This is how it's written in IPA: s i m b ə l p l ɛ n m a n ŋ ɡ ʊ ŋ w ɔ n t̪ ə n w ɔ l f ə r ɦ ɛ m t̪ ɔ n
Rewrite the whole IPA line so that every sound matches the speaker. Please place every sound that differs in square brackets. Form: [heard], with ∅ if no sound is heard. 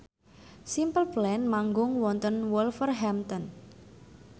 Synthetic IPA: s i m [p] ə l p l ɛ n m a [∅] ŋ ɡ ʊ ŋ w ɔ n t̪ ə n w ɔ l f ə r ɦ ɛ m t̪ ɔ n